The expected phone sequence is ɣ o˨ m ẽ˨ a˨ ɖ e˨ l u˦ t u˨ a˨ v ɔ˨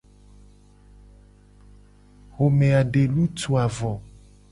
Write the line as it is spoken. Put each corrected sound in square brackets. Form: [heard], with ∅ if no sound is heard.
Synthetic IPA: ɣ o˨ m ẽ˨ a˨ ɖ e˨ l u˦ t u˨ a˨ v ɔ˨